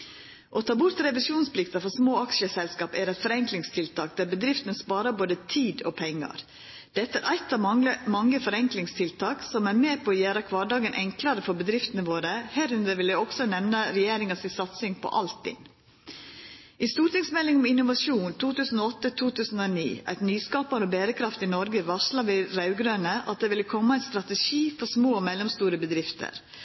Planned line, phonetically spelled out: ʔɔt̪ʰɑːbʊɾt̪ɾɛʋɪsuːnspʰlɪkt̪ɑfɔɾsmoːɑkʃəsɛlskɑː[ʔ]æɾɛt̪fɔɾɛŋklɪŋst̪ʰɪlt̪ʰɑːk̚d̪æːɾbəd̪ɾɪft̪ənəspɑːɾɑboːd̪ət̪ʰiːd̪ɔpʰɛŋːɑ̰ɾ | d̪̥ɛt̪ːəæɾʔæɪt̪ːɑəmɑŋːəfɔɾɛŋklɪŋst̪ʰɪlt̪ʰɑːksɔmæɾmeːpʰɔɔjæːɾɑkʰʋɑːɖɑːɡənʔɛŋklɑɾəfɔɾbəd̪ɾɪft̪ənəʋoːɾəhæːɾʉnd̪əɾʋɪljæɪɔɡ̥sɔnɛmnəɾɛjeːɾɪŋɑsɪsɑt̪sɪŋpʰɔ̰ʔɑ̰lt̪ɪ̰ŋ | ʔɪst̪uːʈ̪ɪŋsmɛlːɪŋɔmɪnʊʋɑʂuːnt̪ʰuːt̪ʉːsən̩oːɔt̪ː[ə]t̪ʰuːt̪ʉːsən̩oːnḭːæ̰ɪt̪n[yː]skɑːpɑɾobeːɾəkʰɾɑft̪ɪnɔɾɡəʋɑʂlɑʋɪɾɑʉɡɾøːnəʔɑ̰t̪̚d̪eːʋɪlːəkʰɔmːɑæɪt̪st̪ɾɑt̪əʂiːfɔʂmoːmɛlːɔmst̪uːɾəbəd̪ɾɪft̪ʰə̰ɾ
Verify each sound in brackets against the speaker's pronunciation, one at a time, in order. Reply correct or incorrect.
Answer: incorrect: p, correct, correct

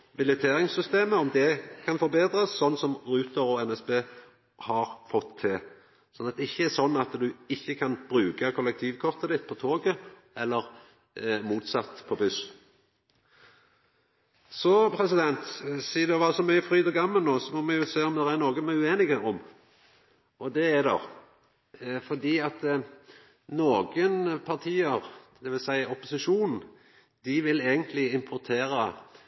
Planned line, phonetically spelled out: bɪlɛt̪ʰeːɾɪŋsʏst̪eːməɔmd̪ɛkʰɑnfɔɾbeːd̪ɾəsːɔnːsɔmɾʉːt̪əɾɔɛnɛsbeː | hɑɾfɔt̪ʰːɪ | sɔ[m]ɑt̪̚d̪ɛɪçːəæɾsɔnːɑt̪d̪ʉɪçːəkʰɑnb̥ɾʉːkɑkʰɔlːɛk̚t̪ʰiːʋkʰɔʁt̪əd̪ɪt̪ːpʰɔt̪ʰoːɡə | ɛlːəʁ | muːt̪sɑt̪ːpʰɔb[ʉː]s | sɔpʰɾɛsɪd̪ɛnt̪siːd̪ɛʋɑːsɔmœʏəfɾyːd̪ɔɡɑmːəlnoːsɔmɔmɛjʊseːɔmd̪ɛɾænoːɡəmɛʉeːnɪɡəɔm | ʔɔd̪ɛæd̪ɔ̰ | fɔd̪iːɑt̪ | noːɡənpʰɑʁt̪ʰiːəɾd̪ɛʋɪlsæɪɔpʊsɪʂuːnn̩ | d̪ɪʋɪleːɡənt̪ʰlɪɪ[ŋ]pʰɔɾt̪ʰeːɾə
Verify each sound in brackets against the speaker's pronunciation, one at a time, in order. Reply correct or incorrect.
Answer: incorrect: n, incorrect: ʉ, incorrect: m

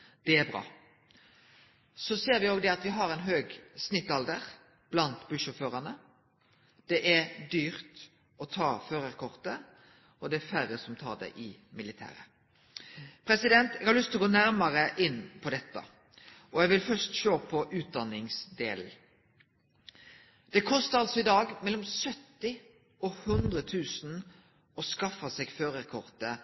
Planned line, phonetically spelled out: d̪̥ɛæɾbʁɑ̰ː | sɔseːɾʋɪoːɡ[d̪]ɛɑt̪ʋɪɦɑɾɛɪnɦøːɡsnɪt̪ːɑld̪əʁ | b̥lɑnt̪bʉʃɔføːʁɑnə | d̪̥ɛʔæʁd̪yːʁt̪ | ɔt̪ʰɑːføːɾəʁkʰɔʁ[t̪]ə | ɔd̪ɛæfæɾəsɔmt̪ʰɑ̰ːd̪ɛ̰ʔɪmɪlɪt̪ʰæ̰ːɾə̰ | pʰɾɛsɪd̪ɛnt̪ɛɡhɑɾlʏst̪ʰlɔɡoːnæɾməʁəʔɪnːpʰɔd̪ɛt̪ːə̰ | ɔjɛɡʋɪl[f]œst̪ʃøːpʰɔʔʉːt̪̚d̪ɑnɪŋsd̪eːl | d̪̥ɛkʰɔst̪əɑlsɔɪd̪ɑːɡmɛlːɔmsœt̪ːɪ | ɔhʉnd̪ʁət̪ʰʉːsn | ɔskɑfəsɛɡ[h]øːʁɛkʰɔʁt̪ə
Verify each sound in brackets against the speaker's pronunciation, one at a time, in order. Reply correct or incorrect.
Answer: correct, correct, correct, incorrect: f

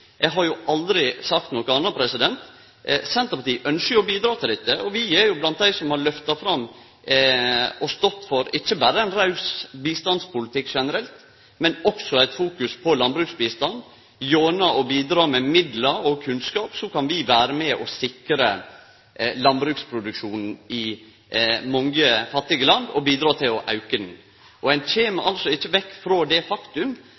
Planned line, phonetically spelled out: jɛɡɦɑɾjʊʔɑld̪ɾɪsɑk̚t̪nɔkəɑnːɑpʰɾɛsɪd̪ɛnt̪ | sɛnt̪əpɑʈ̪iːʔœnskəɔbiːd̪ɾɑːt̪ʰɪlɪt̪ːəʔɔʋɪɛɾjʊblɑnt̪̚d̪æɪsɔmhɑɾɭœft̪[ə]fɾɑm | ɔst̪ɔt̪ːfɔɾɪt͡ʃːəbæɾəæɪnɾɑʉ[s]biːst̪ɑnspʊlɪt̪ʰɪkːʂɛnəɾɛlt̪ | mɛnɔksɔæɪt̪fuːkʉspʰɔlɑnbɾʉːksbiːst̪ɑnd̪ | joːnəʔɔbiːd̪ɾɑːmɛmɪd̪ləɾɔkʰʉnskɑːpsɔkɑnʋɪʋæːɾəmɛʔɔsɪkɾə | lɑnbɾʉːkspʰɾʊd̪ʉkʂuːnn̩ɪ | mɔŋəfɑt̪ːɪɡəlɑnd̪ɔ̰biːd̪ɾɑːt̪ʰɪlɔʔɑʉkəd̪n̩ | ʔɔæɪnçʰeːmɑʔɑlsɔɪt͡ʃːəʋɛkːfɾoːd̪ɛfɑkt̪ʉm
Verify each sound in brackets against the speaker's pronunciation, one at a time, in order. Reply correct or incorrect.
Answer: incorrect: ɑ, correct

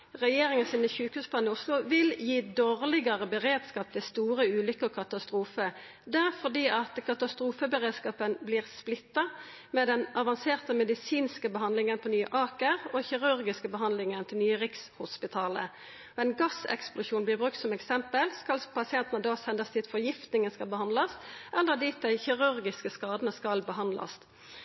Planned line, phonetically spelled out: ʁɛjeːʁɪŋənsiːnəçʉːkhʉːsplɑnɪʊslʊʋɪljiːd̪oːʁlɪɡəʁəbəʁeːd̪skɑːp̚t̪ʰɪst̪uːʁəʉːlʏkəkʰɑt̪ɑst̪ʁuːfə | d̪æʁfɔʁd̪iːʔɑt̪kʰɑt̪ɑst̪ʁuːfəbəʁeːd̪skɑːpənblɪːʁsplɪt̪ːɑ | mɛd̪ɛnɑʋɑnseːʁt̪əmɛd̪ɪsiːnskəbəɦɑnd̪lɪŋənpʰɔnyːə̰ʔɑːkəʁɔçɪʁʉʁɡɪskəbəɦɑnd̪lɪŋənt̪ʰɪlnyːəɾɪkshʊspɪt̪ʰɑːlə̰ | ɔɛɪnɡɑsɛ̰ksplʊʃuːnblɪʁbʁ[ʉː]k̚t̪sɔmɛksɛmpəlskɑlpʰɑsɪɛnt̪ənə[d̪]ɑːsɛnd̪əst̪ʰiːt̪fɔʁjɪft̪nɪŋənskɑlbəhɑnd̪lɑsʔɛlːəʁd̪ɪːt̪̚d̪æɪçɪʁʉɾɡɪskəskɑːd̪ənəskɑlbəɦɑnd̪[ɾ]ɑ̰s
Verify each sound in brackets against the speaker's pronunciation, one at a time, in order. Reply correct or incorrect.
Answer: incorrect: ʉ, correct, incorrect: l

